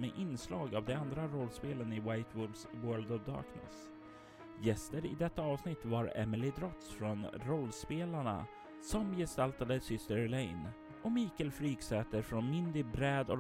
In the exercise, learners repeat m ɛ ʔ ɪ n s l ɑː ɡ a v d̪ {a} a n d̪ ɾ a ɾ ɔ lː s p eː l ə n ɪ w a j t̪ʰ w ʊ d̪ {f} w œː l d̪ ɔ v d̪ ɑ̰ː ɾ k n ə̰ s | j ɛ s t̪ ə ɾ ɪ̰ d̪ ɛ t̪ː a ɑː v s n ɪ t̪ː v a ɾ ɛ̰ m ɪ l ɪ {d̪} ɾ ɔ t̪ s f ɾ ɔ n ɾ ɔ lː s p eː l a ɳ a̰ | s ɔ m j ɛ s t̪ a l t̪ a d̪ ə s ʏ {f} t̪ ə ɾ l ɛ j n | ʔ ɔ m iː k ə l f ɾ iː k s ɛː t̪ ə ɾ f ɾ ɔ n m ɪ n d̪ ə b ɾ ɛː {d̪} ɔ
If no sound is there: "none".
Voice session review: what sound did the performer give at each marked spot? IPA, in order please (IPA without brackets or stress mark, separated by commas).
ɛ, s, d̪, s, d̪